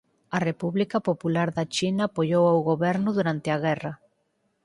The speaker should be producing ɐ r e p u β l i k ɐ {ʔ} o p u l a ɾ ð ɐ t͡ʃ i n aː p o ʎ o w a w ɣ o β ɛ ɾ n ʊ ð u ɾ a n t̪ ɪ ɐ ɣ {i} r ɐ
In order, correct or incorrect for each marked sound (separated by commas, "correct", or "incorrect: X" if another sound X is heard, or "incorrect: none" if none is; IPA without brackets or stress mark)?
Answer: incorrect: p, incorrect: ɛ